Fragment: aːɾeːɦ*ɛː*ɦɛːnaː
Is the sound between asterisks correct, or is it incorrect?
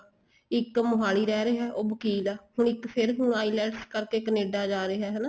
correct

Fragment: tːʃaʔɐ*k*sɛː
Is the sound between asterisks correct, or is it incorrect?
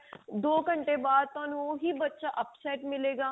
incorrect: p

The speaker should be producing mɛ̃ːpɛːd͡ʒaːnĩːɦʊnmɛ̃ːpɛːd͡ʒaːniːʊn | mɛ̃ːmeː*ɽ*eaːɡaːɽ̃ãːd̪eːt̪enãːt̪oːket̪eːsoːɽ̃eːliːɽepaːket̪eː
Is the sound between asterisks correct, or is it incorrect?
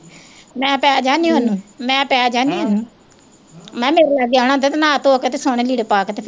incorrect: ɾ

